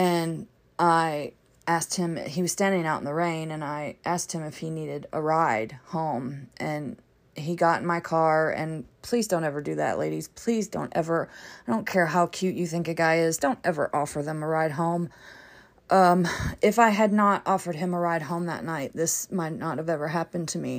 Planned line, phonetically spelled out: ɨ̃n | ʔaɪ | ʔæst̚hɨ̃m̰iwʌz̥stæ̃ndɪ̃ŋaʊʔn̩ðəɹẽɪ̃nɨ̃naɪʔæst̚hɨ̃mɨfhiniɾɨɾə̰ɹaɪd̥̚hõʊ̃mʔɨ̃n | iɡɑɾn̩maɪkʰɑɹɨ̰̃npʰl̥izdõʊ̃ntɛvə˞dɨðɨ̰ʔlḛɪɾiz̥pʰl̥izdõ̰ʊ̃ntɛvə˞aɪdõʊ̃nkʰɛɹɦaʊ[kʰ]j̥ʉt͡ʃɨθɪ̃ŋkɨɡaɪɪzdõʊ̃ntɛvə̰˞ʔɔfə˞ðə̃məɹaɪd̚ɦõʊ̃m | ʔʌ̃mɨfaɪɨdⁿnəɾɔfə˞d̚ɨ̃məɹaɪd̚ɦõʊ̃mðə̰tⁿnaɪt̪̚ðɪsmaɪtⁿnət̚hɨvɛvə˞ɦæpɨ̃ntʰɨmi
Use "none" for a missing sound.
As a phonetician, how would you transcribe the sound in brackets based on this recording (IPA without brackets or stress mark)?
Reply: kʰ